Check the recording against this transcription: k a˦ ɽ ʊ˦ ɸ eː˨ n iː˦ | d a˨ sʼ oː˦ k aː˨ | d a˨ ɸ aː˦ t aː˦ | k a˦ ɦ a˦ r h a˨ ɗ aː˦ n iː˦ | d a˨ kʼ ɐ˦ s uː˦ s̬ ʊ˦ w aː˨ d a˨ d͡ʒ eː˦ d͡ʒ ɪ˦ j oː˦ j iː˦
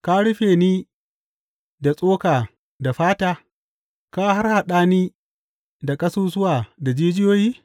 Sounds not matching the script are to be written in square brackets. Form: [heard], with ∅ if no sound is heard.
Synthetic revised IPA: k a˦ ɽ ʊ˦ ɸ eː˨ n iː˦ | d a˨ sʼ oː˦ k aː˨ | d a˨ ɸ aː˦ t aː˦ | k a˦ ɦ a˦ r h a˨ ɗ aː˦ n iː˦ | d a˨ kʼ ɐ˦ s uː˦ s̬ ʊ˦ w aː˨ d a˨ d͡ʒ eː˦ d͡ʒ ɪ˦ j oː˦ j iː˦

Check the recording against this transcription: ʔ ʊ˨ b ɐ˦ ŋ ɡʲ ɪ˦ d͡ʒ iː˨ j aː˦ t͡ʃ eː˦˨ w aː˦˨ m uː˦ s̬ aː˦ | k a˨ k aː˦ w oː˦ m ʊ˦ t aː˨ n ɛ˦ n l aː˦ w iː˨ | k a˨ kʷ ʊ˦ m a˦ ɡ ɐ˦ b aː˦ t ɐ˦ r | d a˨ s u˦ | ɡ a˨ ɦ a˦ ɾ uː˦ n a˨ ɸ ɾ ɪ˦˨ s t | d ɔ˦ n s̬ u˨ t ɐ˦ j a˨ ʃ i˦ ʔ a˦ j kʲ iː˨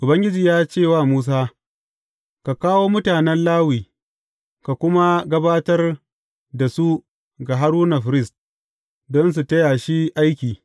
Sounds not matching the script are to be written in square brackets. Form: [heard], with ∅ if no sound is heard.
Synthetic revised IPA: ʔ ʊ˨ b ɐ˦ ŋ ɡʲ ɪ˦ d͡ʒ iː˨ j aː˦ t͡ʃ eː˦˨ w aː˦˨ m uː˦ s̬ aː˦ | k a˨ k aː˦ w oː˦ m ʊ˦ t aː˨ n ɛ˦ n l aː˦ w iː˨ | k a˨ kʷ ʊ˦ m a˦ ɡ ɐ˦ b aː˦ t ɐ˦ r | d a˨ s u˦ | ɡ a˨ ɦ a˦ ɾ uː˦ n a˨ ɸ ɾ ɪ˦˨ s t | d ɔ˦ n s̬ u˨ t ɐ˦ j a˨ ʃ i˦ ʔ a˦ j kʲ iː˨

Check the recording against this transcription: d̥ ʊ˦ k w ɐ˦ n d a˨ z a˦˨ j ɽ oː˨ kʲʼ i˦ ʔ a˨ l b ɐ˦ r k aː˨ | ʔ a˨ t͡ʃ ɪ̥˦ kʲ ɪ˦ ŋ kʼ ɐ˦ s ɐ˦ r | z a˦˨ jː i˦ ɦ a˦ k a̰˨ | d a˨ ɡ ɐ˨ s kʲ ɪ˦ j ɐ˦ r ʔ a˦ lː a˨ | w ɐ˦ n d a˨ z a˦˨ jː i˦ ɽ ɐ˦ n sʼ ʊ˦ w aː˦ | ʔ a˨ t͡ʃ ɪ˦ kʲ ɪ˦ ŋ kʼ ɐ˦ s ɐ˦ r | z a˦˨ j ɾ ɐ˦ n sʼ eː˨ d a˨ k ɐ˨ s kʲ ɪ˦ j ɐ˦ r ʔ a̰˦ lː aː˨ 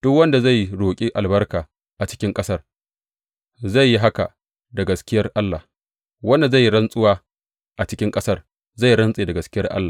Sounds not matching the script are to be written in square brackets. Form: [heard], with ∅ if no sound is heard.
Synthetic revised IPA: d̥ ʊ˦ k w ɐ˦ n d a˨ z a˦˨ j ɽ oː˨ kʲʼ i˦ ʔ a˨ l b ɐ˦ r k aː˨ | ʔ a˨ t͡ʃ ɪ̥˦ kʲ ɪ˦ ŋ kʼ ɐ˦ s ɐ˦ r | z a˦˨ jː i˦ ɦ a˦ k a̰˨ | d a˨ ɡ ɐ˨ s kʲ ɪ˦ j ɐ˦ r ʔ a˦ lː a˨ | w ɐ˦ n d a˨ z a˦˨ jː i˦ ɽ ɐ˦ n sʼ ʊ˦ w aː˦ | ʔ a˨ t͡ʃ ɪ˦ kʲ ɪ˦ ŋ kʼ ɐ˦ s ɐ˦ r | z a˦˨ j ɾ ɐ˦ n sʼ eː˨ d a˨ [ɡ] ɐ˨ s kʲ ɪ˦ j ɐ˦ r ʔ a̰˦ lː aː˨

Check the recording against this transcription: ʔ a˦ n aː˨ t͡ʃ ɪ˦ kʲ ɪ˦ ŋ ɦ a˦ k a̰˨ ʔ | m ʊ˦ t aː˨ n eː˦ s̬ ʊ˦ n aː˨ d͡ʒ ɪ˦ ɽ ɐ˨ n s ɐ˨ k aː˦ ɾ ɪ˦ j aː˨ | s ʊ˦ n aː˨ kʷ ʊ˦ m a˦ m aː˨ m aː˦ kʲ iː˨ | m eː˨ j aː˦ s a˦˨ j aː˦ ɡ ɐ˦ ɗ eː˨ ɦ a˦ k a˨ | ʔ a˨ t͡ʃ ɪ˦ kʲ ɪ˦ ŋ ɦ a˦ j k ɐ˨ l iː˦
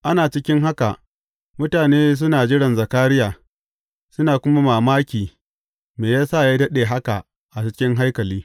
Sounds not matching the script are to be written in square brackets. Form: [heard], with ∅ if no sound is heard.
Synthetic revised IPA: ʔ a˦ n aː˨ t͡ʃ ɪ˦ kʲ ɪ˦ ŋ ɦ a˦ k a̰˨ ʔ | m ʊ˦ t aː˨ n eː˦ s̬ ʊ˦ n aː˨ d͡ʒ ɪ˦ ɽ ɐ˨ n [z] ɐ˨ k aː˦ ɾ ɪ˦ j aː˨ | s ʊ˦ n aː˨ kʷ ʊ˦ m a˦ m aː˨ m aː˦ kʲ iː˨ | m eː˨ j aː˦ s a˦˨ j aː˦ [d] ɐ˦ ɗ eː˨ ɦ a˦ k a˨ | ʔ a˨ t͡ʃ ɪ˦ kʲ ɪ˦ ŋ ɦ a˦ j k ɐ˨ l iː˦

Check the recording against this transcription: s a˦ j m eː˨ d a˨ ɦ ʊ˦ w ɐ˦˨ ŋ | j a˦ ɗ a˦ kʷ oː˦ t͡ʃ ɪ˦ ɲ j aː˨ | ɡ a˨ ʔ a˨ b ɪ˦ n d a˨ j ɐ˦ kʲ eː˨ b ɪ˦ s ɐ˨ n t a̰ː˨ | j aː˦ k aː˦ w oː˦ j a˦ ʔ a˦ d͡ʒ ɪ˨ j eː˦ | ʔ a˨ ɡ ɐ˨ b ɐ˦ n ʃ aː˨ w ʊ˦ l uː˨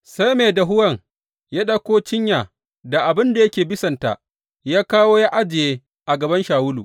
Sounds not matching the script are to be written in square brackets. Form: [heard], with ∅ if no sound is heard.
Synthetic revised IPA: s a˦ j m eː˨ d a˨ ɦ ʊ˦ w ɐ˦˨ ŋ | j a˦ ɗ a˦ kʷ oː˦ t͡ʃ ɪ˦ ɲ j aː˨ | [d] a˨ ʔ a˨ b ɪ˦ n d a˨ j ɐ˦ kʲ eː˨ b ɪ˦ s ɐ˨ n t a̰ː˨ | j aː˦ k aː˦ w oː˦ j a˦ ʔ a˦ d͡ʒ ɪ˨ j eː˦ | ʔ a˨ ɡ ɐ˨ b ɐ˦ n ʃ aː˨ w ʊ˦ l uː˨

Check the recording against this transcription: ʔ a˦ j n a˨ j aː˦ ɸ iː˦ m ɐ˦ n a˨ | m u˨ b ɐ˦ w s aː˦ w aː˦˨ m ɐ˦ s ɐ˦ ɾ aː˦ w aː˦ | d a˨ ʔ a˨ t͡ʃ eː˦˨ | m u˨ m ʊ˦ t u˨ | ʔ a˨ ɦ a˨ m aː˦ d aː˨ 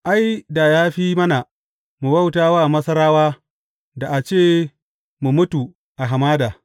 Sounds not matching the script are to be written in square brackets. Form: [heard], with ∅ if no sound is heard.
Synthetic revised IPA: ʔ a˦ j [d] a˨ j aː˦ ɸ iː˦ m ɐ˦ n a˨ | m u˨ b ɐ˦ w [t] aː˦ w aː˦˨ m ɐ˦ s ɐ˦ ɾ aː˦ w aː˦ | d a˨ ʔ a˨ t͡ʃ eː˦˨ | m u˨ m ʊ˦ t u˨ | ʔ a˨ ɦ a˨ m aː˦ d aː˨

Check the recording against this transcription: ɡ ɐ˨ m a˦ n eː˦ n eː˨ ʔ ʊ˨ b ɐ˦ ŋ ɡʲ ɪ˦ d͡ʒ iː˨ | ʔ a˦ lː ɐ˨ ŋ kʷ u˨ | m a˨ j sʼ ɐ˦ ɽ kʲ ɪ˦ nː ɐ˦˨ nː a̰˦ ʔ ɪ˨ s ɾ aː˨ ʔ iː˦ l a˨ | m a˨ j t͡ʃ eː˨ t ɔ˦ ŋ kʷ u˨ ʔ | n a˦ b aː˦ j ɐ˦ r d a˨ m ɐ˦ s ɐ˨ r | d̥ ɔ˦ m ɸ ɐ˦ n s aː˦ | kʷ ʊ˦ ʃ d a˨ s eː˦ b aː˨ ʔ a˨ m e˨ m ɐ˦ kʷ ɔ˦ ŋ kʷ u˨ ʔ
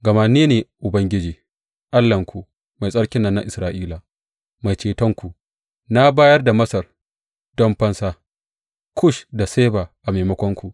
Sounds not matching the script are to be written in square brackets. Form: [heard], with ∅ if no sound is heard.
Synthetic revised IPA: ɡ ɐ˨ m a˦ n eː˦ n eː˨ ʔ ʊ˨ b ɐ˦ ŋ ɡʲ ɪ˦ d͡ʒ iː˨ | ʔ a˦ lː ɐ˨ ŋ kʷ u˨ | m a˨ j sʼ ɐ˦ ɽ kʲ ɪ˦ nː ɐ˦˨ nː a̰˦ ʔ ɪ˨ s ɾ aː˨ ʔ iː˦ l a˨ | m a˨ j t͡ʃ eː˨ t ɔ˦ ŋ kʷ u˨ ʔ | n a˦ b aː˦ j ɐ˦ r d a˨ m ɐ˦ s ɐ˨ r | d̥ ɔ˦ m ɸ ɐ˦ n s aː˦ | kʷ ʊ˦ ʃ d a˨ s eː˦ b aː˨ ʔ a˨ m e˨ m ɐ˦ kʷ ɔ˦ ŋ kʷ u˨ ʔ

